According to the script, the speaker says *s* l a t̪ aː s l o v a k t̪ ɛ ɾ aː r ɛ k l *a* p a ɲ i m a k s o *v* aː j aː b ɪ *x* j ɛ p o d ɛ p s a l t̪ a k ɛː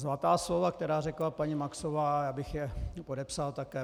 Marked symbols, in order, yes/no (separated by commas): no, yes, yes, yes